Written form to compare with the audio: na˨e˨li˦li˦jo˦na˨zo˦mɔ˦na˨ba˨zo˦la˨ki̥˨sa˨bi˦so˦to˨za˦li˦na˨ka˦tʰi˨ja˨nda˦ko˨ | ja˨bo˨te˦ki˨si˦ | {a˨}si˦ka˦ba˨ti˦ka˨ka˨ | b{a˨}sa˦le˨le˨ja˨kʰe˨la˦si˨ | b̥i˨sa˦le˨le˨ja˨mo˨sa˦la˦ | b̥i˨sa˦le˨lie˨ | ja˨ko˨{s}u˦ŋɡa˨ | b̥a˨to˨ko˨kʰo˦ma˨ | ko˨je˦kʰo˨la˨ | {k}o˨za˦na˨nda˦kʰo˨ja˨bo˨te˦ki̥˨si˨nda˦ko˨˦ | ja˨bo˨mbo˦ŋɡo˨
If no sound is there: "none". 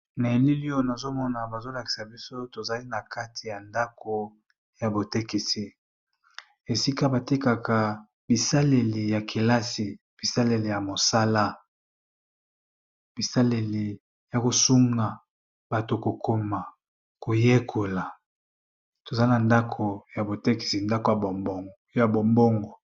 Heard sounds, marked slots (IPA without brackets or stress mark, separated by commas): e˨, i˨, s, t